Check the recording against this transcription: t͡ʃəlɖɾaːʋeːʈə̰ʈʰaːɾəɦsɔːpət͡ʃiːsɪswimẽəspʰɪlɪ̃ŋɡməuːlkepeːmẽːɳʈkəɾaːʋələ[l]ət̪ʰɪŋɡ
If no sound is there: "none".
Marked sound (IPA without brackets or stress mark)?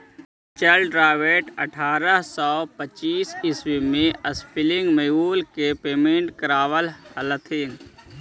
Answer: l